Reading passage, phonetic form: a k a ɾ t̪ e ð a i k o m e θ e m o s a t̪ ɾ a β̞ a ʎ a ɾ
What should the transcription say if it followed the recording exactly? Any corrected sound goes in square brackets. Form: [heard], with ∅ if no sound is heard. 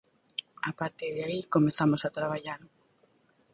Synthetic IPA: a [p] a ɾ t̪ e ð a i k o m e θ [a] m o s a t̪ ɾ a β̞ a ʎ a ɾ